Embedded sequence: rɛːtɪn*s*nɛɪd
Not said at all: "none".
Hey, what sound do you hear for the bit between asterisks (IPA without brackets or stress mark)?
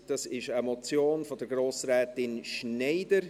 ʃ